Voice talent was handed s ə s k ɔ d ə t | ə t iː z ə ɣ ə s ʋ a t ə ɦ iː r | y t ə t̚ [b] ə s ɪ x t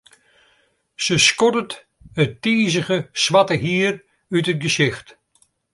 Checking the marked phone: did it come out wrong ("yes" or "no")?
yes